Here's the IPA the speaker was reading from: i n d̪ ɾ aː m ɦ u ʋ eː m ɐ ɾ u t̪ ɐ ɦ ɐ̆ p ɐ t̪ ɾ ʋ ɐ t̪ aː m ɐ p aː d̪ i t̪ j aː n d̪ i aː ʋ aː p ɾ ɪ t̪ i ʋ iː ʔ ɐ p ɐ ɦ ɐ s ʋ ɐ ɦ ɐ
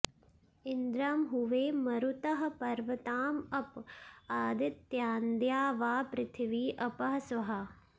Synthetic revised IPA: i n d̪ ɾ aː m ɦ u ʋ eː m ɐ ɾ u t̪ ɐ ɦ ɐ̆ p ɐ ɾ ʋ ɐ t̪ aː m ɐ p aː d̪ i t̪ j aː n d̪ j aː ʋ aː p ɾ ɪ t̪ʰ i ʋ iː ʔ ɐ p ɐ ɦ ɐ s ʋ ɐ ɦ ɐ